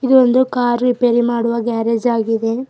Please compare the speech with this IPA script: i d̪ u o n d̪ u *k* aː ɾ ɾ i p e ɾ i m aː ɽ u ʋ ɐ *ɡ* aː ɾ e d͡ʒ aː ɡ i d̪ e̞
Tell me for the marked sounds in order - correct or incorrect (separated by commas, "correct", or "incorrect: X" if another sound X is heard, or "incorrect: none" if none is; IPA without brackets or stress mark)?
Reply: correct, correct